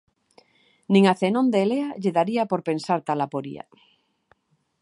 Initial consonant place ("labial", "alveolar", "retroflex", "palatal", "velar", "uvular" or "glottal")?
alveolar